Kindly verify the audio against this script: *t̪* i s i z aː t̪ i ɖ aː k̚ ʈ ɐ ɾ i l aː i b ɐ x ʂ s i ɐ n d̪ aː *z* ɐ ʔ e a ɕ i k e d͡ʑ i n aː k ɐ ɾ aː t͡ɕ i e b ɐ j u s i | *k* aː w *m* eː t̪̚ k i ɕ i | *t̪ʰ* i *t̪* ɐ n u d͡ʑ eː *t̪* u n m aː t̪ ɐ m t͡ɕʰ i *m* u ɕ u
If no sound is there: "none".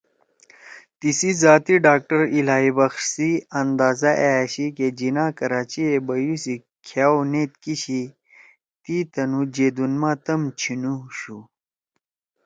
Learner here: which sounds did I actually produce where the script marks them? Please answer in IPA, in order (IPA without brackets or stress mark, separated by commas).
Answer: t̪, z, kʰ, n, t̪, t̪, d̪, n